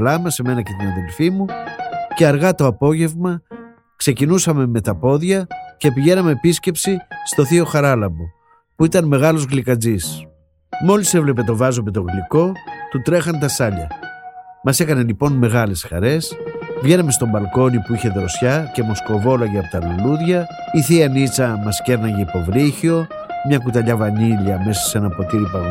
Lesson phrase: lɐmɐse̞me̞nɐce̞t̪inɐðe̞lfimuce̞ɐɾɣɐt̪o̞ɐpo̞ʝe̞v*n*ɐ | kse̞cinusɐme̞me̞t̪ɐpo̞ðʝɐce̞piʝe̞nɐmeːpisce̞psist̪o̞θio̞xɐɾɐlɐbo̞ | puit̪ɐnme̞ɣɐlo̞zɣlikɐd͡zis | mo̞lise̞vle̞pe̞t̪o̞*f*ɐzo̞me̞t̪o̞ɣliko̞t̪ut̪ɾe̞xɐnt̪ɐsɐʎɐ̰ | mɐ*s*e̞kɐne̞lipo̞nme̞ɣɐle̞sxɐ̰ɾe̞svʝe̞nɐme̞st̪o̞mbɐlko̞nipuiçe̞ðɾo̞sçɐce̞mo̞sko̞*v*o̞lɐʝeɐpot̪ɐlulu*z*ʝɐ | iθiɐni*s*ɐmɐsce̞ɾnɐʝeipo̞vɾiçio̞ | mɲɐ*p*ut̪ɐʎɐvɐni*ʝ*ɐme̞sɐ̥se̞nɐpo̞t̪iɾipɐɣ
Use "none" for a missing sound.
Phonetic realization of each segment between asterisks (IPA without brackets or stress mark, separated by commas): m, v, s, v, ð, t͡s, k, ʎ